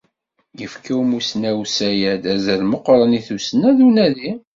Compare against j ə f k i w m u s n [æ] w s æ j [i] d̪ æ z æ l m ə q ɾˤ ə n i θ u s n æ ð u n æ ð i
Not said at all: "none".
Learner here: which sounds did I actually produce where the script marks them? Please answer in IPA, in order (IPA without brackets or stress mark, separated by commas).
æ, æ